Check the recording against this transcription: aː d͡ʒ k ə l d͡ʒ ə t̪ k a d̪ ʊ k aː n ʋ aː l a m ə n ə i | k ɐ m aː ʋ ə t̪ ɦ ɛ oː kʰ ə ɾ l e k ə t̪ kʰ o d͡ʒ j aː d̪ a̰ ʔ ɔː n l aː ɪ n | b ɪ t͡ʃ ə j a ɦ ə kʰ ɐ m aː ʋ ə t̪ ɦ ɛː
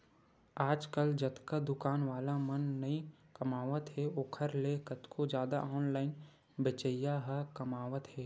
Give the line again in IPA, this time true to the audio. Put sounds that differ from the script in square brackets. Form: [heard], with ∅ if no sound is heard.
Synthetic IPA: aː d͡ʒ k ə l d͡ʒ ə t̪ k a d̪ ʊ k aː n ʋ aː l a m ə [nː] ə i | k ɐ m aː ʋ ə t̪ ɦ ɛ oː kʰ ə ɾ l e k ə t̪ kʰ o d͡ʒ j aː d̪ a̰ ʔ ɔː n l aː ɪ n | b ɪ t͡ʃ ə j a ɦ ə [k] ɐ m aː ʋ ə t̪ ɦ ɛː